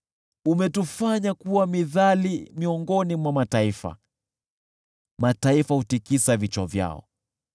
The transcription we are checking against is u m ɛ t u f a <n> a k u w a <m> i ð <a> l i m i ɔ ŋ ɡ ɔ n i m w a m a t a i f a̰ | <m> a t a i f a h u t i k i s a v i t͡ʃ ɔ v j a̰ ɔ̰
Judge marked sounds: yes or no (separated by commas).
no, yes, yes, yes